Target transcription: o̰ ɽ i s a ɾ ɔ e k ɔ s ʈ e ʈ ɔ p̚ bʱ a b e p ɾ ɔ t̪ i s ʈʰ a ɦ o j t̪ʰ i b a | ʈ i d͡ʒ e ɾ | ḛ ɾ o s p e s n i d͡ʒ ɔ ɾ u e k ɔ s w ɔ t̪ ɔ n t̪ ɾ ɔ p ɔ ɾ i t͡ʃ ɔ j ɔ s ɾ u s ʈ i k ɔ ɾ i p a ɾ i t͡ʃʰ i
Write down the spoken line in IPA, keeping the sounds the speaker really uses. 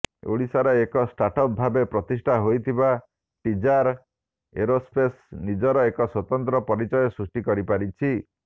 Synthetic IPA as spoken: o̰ ɽ i s a ɾ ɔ e k ɔ s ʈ a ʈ ɔ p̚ bʱ a b e p ɾ ɔ t̪ i s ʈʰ a ɦ o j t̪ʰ i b a | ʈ i d͡ʒ a ɾ | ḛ ɾ o s p e s n i d͡ʒ ɔ ɾ ɔ e k ɔ s w ɔ t̪ ɔ n t̪ ɾ ɔ p ɔ ɾ i t͡ʃ ɔ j ɔ s ɾ u s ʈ i k ɔ ɾ i p a ɾ i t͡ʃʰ i